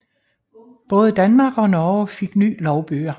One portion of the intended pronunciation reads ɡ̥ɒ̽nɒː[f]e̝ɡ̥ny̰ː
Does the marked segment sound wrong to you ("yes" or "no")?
no